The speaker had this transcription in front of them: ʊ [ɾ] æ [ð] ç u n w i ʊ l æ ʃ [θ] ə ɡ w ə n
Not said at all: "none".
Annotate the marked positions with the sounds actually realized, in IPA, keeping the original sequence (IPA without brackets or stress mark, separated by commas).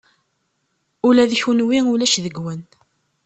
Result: l, ð, ð